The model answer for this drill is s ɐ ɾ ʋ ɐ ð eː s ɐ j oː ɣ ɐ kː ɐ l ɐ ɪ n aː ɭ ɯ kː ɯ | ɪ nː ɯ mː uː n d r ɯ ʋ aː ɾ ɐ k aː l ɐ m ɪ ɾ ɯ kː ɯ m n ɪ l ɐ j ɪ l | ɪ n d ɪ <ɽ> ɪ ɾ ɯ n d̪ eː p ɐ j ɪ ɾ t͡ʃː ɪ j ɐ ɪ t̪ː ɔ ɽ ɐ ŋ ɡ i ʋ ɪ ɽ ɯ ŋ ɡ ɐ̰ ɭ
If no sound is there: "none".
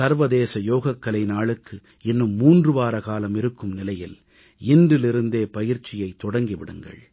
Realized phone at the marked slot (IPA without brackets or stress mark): l